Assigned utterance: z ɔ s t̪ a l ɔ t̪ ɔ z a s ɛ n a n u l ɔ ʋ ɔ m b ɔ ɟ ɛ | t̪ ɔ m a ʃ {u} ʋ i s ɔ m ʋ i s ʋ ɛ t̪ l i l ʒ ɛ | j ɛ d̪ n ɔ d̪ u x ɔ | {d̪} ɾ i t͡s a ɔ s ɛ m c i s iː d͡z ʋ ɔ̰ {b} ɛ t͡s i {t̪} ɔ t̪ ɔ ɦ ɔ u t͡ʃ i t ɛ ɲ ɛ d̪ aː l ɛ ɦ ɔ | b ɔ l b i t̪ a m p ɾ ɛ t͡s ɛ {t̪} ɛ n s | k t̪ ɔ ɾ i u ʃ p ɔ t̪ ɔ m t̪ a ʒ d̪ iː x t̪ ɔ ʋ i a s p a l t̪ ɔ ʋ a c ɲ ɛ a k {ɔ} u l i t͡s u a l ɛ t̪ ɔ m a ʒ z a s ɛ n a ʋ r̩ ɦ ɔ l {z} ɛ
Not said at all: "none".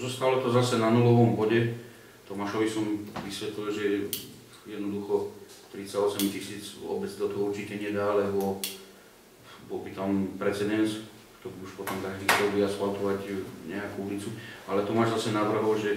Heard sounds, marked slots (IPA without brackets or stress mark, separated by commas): ɔ, t̪, b, d̪, d̪, u, ʒ